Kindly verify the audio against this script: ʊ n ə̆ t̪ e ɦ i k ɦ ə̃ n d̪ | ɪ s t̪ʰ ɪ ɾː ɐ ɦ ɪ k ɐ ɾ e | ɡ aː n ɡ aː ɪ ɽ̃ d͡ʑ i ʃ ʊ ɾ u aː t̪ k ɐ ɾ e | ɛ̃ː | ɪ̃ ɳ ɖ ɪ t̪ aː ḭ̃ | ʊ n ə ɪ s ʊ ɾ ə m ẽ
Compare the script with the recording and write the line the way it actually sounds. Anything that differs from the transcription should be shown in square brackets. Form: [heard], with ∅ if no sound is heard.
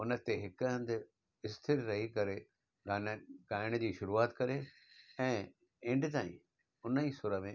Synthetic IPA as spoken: ʊ n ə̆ t̪ e ɦ [ɪ] k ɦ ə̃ n d̪ | ɪ s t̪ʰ ɪ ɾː ɐ ɦ [i] k ɐ ɾ e | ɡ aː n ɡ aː ɪ ɽ̃ d͡ʑ [iː] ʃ ʊ ɾ u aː t̪ k ɐ ɾ e | ɛ̃ː | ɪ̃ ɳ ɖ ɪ t̪ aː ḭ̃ | ʊ n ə [i] s ʊ ɾ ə m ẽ